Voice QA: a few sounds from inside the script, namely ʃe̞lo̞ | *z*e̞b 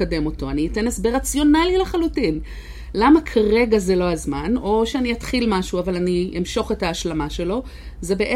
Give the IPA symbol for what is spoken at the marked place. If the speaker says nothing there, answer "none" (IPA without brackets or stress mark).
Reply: z